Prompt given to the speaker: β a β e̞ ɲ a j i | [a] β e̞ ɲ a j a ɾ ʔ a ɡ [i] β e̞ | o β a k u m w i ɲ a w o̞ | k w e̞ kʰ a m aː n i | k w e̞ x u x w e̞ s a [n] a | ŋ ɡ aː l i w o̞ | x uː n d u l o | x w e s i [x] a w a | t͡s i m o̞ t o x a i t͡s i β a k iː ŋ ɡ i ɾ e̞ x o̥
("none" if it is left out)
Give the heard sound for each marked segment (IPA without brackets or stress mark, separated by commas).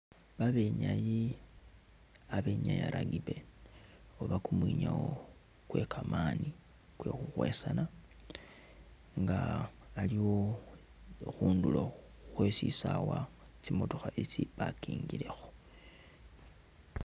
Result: a, i, n, s